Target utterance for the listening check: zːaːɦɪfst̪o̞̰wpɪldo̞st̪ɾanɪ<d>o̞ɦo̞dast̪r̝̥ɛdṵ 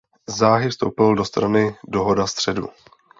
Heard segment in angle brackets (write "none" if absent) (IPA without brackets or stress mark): d